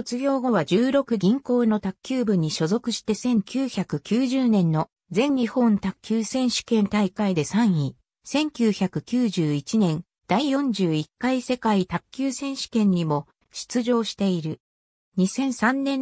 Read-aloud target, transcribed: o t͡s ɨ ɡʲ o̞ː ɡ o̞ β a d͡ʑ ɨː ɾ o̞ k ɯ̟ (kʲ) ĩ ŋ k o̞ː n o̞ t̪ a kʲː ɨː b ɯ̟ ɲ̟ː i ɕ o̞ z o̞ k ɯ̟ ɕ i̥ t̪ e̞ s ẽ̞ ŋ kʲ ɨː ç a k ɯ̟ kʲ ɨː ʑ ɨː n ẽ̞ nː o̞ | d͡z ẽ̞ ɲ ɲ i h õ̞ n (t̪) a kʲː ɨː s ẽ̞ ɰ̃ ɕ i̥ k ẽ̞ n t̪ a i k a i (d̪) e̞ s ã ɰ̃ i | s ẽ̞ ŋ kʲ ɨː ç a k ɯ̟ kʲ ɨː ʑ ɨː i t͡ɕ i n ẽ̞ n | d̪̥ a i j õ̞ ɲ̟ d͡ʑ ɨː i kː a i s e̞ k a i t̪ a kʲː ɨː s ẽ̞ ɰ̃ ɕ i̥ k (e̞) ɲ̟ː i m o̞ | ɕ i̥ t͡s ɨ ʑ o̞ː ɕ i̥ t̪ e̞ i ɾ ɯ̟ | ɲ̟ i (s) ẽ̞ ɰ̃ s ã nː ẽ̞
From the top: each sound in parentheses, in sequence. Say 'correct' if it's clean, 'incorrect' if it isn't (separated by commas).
incorrect, correct, correct, incorrect, correct